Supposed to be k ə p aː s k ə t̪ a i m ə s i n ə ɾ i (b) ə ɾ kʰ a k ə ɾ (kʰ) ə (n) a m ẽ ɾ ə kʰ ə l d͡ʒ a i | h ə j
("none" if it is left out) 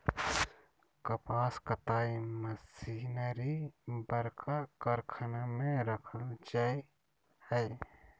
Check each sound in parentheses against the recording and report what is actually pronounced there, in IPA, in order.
b, kʰ, n

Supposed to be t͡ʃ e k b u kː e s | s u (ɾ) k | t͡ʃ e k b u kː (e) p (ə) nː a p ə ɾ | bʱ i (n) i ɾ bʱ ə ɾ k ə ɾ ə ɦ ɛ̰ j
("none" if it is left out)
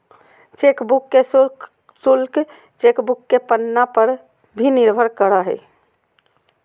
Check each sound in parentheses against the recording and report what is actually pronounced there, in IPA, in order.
l, e, ə, n

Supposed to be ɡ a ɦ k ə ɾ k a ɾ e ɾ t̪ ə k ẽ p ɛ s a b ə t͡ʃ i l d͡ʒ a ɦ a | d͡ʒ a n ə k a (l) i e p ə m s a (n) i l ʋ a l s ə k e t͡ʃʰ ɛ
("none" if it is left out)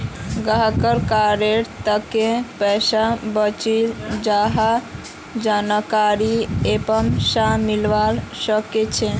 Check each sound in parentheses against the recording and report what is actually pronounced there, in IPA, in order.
ɾ, m

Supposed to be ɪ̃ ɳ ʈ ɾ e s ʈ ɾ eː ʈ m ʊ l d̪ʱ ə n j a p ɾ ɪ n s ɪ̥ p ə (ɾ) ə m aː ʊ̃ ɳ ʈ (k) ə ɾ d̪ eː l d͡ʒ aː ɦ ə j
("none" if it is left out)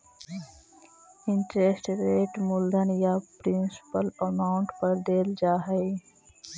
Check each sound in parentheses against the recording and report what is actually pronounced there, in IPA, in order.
l, p

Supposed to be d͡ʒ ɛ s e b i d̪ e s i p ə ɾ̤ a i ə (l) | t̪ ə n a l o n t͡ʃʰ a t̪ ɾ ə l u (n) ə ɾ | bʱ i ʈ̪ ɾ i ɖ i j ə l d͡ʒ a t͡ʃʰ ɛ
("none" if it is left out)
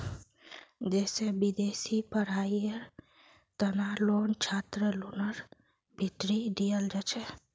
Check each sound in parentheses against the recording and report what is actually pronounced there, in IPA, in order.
ɾ, n

